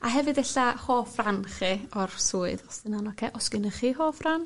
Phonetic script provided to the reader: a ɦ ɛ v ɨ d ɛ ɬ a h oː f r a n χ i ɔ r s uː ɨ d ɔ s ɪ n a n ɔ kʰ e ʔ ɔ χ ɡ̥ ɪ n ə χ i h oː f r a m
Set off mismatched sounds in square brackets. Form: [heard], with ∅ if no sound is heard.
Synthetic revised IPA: a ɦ ɛ v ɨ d ɛ ɬ a h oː f r a n χ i ɔ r s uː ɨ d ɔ s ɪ n a n ɔ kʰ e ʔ ɔ [s] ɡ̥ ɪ n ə χ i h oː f r a [n]